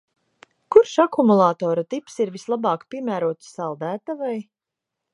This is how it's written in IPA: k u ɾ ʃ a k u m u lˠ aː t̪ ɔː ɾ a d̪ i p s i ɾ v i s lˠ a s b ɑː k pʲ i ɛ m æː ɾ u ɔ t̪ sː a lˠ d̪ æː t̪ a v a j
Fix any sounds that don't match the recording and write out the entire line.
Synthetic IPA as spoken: k u ɾ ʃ a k u m u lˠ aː t̪ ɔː ɾ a t̪ i p s i ɾ v i s lˠ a b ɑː k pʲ i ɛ m æː ɾ u ɔ t̪ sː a lˠ d̪ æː t̪ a v a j